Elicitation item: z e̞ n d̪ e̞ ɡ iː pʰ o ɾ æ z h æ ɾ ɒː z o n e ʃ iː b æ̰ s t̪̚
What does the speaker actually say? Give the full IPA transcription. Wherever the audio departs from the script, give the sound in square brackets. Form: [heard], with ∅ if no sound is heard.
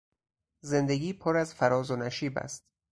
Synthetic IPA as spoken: z e̞ n d̪ e̞ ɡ iː pʰ o ɾ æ z [f] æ ɾ ɒː z o n [æ] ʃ iː b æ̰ s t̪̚